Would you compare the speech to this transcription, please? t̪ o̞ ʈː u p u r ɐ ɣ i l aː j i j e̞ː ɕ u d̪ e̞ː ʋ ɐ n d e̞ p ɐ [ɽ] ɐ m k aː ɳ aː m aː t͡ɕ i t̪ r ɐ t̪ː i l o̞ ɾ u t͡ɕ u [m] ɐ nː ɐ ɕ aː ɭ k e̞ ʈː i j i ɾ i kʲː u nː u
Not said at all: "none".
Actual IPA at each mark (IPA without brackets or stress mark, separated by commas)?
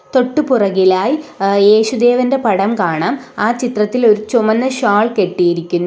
ɽ, m